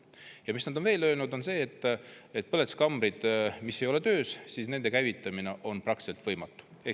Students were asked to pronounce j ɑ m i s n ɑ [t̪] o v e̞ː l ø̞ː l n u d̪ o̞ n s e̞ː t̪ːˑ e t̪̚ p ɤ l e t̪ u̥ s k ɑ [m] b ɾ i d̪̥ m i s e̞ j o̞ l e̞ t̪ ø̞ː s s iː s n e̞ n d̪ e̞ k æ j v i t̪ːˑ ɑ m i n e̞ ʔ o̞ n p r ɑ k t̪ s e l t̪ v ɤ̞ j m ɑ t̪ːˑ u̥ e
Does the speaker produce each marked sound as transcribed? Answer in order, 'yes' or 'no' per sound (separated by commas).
no, yes